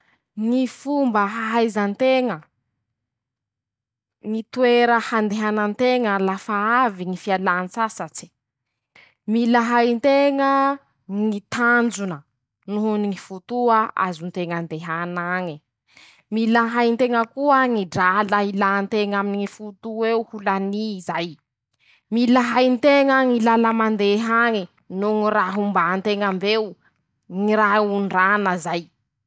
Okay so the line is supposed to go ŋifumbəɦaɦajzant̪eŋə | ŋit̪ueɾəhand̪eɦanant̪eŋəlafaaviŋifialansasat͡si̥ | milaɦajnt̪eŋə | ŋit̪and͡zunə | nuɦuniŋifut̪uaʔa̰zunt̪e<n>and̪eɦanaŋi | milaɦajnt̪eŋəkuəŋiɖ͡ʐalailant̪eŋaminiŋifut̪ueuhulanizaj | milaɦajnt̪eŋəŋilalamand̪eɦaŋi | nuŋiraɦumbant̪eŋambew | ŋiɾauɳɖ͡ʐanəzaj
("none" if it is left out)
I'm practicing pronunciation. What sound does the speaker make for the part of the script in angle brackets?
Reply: ŋ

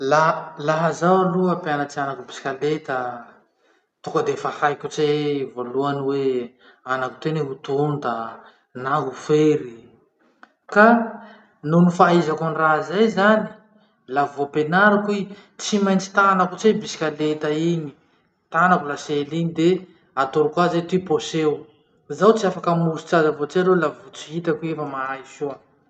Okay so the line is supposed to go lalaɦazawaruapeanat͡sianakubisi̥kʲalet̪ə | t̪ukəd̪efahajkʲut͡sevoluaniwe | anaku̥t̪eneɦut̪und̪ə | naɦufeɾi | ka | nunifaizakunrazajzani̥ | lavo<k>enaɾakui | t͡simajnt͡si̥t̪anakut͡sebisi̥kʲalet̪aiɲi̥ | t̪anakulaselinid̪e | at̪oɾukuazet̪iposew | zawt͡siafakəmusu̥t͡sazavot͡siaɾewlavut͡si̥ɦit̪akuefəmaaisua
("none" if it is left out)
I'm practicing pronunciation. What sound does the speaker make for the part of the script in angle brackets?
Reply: p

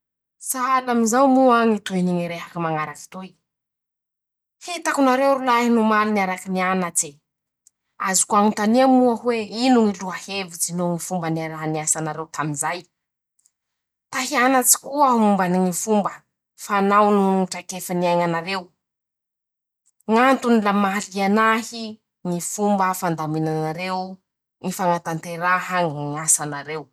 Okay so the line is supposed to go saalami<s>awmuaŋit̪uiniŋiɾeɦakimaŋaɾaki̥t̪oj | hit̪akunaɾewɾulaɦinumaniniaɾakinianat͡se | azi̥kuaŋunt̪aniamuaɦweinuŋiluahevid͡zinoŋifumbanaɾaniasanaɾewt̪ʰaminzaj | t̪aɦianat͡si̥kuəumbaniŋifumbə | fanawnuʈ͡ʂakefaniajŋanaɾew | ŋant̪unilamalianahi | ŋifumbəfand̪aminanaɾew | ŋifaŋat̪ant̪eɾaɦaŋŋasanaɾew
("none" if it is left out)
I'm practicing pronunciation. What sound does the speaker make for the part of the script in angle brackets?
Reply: z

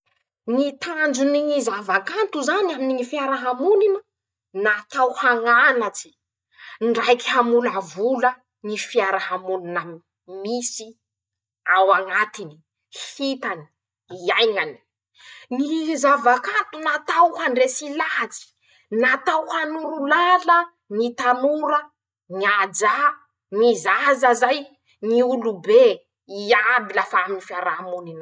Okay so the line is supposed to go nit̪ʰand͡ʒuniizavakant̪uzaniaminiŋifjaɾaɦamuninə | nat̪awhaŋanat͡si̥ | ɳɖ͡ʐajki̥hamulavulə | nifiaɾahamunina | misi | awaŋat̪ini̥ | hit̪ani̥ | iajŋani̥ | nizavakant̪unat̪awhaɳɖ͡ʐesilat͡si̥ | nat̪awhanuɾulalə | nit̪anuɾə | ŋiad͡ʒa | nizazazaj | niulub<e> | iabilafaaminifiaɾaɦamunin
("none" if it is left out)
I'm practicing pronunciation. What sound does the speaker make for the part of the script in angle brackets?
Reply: e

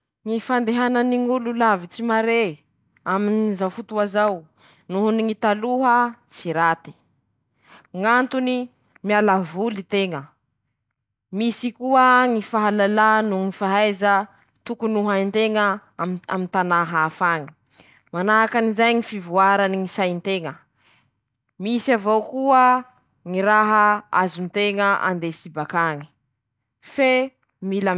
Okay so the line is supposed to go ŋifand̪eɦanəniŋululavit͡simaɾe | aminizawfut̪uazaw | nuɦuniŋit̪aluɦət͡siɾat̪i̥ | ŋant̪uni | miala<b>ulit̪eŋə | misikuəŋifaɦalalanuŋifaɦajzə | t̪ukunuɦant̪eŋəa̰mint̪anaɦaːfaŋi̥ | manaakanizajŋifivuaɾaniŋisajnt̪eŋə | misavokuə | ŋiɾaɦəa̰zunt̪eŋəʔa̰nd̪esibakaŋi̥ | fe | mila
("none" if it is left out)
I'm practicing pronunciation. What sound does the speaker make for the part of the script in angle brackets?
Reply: v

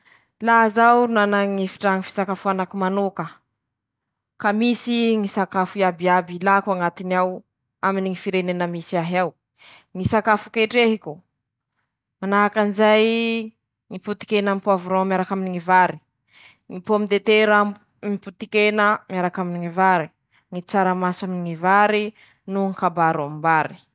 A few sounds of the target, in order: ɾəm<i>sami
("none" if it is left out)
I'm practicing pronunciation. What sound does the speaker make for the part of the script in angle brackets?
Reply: a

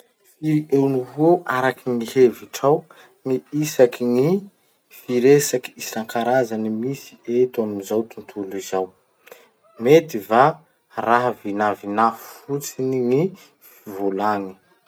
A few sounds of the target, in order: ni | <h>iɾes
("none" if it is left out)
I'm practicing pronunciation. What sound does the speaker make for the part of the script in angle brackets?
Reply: f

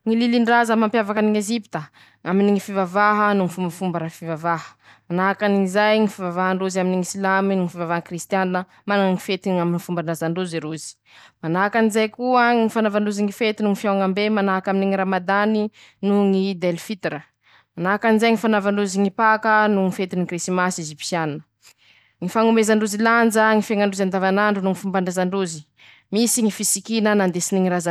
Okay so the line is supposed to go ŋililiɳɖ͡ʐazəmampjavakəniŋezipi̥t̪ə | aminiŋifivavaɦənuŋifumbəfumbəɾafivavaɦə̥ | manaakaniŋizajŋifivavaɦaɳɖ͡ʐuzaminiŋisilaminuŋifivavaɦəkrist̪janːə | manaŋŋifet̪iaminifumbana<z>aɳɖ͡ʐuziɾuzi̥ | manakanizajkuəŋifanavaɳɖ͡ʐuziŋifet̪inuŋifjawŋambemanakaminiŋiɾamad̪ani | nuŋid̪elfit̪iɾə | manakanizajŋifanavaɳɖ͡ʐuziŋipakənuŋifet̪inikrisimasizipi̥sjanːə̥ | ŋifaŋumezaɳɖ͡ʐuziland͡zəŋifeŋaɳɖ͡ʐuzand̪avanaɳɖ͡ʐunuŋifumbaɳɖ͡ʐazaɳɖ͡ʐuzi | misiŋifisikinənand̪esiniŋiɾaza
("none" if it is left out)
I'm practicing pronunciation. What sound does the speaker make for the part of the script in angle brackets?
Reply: z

